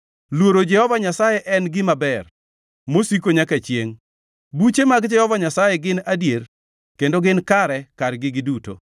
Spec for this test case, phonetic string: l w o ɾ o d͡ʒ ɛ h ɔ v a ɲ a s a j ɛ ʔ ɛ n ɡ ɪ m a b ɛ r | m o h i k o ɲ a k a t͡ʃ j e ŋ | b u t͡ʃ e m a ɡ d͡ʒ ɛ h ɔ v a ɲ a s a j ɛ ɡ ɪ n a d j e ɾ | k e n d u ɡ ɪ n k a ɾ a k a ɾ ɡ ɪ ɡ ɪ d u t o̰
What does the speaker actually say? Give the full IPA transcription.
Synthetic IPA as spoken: l w o ɾ o d͡ʒ ɛ h ɔ v a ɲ a s a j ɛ ʔ ɛ n ɡ ɪ m a b ɛ r | m o s i k o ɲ a k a t͡ʃ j e ŋ | b u t͡ʃ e m a ɡ d͡ʒ ɛ h ɔ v a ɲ a s a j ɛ ɡ ɪ n a d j e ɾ | k e n d o ɡ ɪ n k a ɾ ɛ k a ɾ ɡ ɪ ɡ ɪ d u t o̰